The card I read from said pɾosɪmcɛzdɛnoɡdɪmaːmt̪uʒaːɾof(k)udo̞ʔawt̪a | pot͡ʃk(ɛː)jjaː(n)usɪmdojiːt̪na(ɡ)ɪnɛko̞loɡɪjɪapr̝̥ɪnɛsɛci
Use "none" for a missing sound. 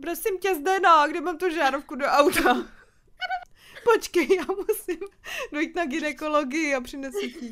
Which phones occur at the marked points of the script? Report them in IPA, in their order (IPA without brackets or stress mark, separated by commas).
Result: k, ɛ, m, ɡ